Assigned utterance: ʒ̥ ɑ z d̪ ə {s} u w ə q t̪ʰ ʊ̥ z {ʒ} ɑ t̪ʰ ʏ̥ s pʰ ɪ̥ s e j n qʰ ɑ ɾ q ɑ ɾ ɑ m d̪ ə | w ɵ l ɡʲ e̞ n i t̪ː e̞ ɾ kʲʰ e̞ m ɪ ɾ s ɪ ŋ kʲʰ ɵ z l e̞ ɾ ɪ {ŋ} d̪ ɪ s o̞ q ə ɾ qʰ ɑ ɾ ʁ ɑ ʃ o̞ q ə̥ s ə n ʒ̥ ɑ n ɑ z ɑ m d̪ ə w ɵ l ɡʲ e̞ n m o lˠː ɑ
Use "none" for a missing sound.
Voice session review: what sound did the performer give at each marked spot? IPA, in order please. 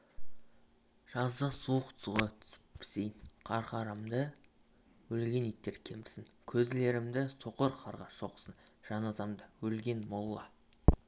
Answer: s, ʁ, m

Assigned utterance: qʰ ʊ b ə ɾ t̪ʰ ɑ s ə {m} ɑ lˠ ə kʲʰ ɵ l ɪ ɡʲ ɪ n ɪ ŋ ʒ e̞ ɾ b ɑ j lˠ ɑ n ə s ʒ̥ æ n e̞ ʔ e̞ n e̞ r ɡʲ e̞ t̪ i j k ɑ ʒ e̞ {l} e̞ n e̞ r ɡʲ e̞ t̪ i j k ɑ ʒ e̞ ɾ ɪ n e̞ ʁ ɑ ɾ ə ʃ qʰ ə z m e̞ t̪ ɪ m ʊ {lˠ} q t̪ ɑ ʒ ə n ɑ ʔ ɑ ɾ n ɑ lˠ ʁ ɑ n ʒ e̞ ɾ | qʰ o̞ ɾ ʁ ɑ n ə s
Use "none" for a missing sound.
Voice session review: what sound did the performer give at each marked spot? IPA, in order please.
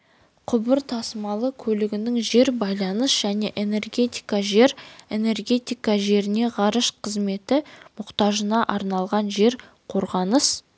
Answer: m, ɾ, none

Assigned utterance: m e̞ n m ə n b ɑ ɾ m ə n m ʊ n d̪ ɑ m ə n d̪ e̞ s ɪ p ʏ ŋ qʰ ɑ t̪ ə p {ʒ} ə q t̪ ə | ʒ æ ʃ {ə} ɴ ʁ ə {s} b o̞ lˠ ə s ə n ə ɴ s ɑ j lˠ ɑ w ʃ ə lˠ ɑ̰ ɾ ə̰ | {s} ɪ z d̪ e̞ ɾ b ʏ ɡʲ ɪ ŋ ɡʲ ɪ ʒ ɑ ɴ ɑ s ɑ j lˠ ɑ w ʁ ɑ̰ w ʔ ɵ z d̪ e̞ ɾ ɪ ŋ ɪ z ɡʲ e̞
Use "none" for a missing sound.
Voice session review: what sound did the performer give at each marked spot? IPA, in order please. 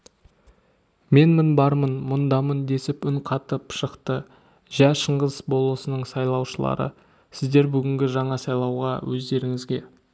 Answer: ʃ, ə, z, s

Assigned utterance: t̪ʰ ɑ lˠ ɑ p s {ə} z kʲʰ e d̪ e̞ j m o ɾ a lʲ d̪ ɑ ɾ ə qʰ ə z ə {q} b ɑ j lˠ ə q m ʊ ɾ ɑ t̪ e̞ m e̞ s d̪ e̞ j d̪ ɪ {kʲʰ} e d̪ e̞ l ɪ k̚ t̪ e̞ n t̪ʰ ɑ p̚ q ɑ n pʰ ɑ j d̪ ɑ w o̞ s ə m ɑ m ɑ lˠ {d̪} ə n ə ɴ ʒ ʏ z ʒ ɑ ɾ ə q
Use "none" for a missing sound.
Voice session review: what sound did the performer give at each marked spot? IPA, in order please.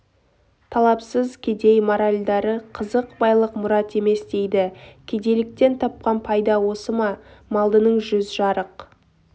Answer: ə, q, kʲʰ, d̪

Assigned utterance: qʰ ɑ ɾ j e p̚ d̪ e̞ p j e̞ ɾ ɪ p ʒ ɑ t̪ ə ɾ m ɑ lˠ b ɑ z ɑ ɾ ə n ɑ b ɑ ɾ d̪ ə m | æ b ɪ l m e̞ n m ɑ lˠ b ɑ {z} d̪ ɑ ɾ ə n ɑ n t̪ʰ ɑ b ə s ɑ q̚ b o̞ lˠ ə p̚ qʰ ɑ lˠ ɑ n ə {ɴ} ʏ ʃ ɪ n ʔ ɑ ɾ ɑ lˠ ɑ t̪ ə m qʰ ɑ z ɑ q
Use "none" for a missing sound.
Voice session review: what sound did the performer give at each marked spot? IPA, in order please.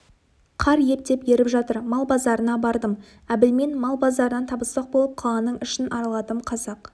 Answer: z, ɴ

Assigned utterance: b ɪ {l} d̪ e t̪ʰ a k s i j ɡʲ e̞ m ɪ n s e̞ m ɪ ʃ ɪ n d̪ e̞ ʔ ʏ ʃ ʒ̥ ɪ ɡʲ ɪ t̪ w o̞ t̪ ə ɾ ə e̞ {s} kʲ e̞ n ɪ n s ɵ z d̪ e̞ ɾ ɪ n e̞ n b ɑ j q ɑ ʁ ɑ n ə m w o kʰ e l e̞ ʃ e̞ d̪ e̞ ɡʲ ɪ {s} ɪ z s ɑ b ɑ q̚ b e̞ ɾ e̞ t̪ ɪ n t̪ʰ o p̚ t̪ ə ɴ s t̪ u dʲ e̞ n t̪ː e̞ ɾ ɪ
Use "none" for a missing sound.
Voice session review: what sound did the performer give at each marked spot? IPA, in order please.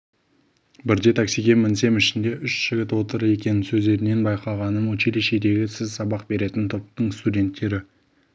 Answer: ɾ, none, s

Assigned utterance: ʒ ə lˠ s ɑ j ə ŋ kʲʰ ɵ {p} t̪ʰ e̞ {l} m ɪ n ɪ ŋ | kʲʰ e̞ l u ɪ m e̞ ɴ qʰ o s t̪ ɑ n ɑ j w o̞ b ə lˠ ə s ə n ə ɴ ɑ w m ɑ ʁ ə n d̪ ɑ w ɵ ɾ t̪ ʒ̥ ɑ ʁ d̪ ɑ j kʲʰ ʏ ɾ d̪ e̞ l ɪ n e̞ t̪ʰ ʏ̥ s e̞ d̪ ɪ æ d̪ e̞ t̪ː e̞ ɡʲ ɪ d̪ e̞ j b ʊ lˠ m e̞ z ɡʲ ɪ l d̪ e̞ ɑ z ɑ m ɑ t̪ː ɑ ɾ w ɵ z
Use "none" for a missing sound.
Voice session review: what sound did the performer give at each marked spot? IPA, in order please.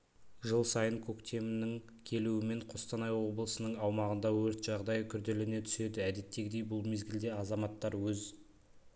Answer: k, none

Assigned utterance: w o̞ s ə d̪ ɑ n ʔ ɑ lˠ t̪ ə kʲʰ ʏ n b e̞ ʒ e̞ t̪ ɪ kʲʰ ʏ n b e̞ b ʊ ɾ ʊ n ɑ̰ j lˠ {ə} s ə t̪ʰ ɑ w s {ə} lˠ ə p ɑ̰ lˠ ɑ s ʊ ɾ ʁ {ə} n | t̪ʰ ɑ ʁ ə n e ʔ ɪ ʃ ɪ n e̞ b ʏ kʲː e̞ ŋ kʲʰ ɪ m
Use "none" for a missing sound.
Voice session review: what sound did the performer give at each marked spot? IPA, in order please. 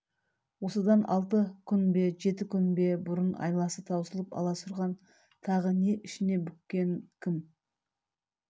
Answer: ɑ, ə, ɑ

